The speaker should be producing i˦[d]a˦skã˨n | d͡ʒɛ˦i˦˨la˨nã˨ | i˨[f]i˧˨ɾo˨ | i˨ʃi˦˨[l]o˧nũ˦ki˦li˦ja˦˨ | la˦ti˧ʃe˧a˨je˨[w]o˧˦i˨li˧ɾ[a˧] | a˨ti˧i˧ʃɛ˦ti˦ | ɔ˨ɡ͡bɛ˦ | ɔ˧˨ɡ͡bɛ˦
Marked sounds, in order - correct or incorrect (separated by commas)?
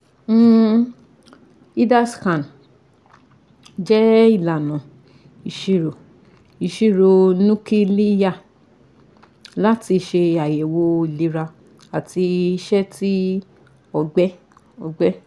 correct, incorrect, incorrect, correct, correct